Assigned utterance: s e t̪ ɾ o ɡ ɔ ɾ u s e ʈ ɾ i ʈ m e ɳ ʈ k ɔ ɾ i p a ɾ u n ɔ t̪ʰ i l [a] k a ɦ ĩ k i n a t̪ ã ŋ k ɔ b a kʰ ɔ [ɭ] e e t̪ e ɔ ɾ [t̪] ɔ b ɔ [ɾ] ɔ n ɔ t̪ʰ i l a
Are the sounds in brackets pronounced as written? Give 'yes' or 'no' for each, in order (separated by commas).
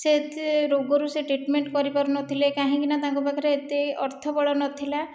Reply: no, no, no, no